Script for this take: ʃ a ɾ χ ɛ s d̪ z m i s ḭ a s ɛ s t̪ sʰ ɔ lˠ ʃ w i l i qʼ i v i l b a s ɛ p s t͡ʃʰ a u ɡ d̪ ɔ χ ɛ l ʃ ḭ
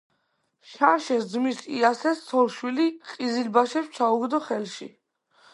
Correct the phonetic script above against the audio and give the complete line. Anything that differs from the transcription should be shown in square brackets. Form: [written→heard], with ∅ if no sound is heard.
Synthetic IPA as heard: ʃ a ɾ [χ→ʃ] ɛ s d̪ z m i s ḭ a s ɛ s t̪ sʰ ɔ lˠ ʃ w i l i qʼ i [v→z] i l b a [s→ʃ] ɛ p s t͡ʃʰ a u ɡ d̪ ɔ χ ɛ l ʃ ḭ

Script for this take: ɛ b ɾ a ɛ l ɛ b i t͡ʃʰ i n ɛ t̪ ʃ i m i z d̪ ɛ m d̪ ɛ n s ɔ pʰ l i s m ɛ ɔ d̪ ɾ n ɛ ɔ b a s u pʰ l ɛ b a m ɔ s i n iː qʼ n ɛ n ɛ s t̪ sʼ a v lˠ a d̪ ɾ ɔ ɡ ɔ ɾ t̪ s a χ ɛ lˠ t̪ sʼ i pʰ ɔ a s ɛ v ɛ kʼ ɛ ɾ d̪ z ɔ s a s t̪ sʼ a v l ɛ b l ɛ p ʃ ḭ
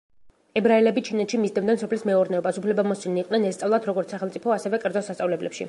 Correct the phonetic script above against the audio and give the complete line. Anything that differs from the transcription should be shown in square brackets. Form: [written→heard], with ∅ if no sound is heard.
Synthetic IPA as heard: ɛ b ɾ a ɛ l ɛ b i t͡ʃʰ i n ɛ t̪ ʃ i m i z d̪ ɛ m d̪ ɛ n s ɔ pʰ l i s m ɛ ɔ [d̪→∅] ɾ n ɛ ɔ b a s u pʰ l ɛ b a m ɔ s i n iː qʼ n ɛ n ɛ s t̪ sʼ a v lˠ a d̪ ɾ ɔ ɡ ɔ ɾ t̪ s a χ ɛ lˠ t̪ sʼ i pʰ ɔ a s ɛ v ɛ kʼ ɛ ɾ d̪ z ɔ s a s t̪ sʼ a v l ɛ b l ɛ p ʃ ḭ

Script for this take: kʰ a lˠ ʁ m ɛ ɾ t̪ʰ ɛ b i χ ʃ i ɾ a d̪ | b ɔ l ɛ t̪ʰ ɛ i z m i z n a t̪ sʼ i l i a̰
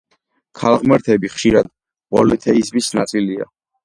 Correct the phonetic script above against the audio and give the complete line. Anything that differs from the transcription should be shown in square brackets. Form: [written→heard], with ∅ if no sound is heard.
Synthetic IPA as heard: kʰ a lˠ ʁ m ɛ ɾ t̪ʰ ɛ b i χ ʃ i ɾ a d̪ | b ɔ l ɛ t̪ʰ ɛ i z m i [z→s] n a t̪ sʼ i l i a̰

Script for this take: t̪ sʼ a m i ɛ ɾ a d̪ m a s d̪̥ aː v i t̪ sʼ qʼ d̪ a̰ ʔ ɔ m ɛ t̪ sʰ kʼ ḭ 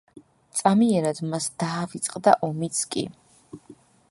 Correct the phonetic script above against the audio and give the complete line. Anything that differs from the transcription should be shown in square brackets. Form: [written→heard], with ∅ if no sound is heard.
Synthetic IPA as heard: t̪ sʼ a m i ɛ ɾ a d̪ m a s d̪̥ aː v i t̪ sʼ qʼ d̪ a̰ ʔ ɔ m [ɛ→i] t̪ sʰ kʼ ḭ

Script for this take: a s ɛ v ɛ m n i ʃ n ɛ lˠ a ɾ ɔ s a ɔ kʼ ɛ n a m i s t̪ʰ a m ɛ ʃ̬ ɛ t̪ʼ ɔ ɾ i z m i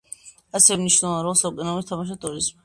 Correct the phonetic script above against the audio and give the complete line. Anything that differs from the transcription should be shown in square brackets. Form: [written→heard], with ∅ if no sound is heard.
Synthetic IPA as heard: a s ɛ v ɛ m n i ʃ n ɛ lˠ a ɾ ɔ s a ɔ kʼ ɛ n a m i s t̪ʰ a m [ɛ→a] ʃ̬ [ɛ→a] t̪ʼ [ɔ→u] ɾ i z m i

